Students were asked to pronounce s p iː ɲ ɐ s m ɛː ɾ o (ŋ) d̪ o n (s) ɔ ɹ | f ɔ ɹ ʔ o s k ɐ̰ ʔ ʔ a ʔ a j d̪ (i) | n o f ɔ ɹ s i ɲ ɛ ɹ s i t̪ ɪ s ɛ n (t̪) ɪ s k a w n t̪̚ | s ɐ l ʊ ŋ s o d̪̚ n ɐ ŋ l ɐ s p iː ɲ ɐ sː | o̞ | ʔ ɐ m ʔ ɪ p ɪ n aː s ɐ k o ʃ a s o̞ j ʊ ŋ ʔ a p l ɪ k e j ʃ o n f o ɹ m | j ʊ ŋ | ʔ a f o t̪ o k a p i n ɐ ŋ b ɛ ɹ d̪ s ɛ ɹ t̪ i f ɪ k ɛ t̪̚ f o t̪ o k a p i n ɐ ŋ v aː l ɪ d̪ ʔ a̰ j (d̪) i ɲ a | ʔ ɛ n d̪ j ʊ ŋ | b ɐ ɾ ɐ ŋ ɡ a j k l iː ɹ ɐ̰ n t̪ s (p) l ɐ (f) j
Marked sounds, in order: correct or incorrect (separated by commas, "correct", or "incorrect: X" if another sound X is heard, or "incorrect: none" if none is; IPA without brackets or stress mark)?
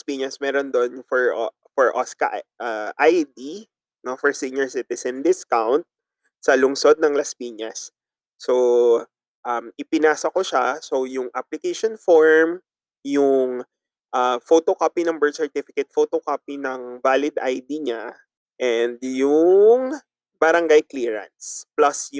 incorrect: n, incorrect: f, correct, incorrect: d̪, correct, correct, incorrect: s